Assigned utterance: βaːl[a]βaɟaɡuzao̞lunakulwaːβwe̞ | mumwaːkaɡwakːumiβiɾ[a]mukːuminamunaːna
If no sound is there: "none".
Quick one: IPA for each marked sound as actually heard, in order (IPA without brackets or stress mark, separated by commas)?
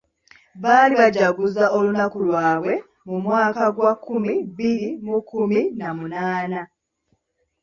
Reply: i, i